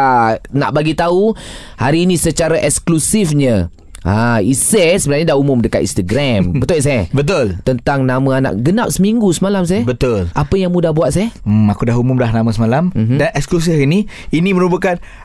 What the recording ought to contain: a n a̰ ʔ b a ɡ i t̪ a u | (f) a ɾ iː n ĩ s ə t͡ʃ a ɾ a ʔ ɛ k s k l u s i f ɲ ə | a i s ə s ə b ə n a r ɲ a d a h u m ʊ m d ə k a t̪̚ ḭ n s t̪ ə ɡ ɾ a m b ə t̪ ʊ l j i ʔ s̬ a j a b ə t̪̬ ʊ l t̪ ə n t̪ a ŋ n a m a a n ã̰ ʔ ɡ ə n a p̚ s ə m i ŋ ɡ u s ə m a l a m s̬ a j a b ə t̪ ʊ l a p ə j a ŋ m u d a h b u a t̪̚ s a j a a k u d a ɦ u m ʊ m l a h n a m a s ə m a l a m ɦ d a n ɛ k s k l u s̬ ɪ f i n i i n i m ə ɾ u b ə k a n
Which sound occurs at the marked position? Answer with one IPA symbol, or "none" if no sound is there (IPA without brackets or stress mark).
h